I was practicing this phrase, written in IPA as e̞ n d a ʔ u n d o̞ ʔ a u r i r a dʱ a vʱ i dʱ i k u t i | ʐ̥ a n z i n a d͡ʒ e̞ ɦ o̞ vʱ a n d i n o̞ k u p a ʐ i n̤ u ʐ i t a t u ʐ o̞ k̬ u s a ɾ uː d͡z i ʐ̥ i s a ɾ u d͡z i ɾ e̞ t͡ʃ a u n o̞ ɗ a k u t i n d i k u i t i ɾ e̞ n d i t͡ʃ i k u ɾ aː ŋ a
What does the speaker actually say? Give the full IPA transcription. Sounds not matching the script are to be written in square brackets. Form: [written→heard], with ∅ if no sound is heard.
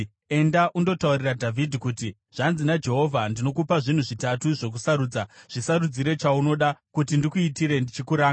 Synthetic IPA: e̞ n d a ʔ u n d o̞ [ʔ→t] a u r i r a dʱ a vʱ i dʱ i k u t i | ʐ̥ a n z i n a d͡ʒ e̞ ɦ o̞ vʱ a n d i n o̞ k u p a ʐ i n̤ u ʐ i t a t u ʐ o̞ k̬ u s a ɾ uː d͡z [i→a] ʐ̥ i s a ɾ u d͡z i ɾ e̞ t͡ʃ a u n o̞ ɗ a k u t i n d i k u i t i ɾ e̞ n d i t͡ʃ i k u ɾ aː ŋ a